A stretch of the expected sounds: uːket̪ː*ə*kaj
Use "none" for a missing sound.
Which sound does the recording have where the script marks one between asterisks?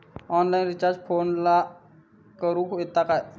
a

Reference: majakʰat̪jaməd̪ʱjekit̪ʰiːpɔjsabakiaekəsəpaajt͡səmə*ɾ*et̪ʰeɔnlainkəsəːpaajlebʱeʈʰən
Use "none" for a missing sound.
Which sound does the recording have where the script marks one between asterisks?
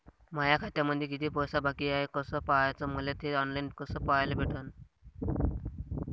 l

